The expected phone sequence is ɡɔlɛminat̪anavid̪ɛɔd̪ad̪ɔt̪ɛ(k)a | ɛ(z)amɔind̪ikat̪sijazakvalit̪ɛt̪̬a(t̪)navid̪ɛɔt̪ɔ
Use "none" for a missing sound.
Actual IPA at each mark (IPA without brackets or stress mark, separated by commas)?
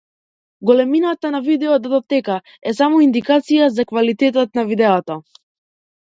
k, s, t̪